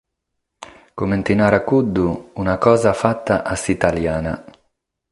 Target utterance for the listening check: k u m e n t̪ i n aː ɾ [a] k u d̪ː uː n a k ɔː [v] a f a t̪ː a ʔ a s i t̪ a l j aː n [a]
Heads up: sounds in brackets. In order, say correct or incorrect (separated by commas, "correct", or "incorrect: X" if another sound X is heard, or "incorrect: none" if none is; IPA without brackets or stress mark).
correct, incorrect: z, correct